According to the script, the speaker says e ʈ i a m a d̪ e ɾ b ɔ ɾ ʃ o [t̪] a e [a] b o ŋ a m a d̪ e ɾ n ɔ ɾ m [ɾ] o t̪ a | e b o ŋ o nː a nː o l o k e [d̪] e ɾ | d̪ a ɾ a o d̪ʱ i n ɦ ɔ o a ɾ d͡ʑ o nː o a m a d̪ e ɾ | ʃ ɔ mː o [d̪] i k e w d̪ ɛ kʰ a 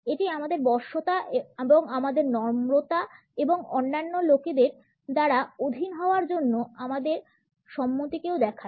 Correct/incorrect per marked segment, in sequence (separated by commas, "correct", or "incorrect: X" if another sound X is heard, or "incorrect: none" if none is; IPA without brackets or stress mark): correct, incorrect: e, correct, correct, incorrect: t̪